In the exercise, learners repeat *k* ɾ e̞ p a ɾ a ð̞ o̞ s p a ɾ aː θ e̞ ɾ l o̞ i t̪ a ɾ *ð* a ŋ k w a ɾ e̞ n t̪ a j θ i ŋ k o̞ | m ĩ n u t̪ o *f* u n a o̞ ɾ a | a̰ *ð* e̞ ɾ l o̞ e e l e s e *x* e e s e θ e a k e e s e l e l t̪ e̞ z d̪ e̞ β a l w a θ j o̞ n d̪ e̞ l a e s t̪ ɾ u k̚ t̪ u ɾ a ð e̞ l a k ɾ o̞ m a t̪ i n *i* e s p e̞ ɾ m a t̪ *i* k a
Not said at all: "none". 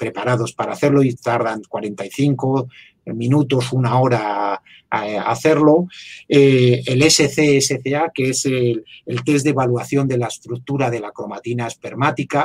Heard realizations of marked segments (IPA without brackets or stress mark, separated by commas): p, ð, s, θ, θ, a, i